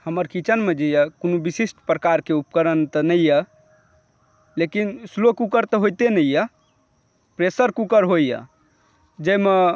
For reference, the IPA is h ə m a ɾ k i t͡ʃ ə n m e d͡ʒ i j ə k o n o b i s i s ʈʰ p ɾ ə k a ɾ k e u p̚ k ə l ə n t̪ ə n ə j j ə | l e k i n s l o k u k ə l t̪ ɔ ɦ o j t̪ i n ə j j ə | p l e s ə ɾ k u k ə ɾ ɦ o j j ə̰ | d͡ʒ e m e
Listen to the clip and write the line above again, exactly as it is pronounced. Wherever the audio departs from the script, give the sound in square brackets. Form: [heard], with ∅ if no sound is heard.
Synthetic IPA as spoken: h ə m [ə] ɾ k i t͡ʃ ə n m e d͡ʒ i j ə k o n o b i s i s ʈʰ p ɾ ə k a ɾ k e u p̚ k ə [ɾ] ə n t̪ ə n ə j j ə | l e k i n s l o k u k ə [ɾ] t̪ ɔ ɦ o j t̪ [e] n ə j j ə | p [ɾ] e s ə ɾ k u k ə ɾ ɦ o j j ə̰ | d͡ʒ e m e